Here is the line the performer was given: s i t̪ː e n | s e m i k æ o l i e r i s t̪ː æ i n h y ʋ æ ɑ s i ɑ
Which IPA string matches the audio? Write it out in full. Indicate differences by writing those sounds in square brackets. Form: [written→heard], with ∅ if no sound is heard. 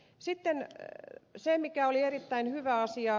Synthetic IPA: s i t̪ː e n | s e m i k æ o l i e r i [s→∅] t̪ː æ i n h y ʋ æ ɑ s i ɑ